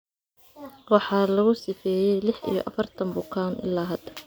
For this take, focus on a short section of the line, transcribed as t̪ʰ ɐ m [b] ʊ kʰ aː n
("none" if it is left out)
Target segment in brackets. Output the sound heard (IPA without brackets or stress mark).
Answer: b